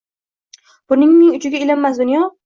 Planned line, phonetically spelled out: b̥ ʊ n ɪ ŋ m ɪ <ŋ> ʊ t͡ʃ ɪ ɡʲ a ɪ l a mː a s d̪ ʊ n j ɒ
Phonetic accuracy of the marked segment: correct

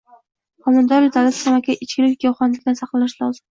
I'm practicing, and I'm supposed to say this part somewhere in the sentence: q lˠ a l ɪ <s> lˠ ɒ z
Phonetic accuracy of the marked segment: incorrect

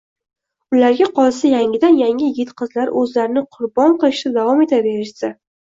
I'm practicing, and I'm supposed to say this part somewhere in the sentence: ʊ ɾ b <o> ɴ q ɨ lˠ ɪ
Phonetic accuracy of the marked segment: incorrect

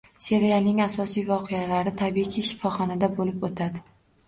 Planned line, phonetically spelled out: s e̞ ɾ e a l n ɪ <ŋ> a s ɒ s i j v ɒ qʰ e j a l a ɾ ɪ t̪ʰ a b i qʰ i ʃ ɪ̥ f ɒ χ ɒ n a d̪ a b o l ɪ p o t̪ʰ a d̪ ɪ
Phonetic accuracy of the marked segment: correct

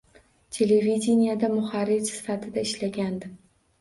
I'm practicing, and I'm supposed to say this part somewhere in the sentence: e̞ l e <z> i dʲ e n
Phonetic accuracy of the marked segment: incorrect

